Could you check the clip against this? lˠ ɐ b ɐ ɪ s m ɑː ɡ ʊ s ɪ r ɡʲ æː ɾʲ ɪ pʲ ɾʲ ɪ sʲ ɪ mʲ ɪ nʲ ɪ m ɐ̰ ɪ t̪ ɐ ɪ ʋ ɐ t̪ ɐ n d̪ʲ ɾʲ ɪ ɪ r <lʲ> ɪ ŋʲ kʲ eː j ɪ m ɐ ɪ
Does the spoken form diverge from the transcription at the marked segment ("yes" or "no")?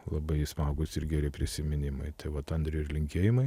no